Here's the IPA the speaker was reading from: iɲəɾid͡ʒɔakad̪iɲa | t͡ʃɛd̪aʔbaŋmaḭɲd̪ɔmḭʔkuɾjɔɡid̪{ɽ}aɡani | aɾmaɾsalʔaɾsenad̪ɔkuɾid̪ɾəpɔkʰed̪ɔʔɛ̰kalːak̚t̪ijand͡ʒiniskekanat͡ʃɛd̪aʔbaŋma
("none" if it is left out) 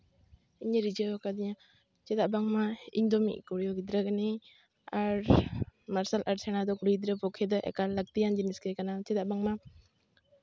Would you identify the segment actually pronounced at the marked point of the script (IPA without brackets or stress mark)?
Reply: ɾ